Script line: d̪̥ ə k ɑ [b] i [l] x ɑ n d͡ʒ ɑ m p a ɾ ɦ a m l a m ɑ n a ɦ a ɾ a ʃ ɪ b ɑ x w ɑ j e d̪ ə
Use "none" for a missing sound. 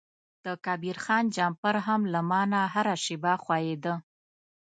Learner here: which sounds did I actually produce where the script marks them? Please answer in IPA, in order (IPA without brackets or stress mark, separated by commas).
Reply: b, ɾ